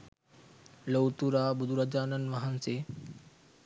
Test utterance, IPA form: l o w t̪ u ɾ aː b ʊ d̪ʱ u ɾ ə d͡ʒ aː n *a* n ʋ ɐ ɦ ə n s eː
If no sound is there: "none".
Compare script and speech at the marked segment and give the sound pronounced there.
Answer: ə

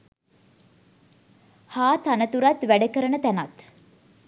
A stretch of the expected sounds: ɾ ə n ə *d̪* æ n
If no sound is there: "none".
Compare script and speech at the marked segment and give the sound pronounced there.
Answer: t̪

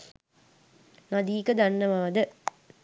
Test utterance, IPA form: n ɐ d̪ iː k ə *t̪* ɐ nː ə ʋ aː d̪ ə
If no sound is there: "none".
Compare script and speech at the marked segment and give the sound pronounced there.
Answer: d̪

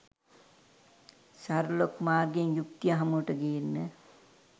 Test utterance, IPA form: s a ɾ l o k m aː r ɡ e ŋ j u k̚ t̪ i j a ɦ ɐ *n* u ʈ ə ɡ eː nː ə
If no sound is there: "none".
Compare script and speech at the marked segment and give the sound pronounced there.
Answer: m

